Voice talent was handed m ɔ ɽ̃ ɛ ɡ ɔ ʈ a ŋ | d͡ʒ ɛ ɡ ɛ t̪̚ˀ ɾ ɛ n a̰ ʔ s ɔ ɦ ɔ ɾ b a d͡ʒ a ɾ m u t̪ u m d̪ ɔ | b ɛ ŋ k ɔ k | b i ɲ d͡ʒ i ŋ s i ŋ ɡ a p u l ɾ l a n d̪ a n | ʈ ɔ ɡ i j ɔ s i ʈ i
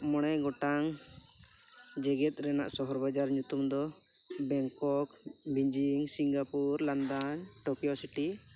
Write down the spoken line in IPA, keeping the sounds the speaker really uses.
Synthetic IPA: m ɔ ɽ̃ ɛ ɡ ɔ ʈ a ŋ | d͡ʒ ɛ ɡ ɛ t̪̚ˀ ɾ ɛ n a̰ ʔ s ɔ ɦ ɔ ɾ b a d͡ʒ a ɾ ɲ u t̪ u m d̪ ɔ | b ɛ ŋ k ɔ k | b i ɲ d͡ʒ i ŋ s i ŋ ɡ a p u ɾ l a n d̪ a n | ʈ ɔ k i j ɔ s i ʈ i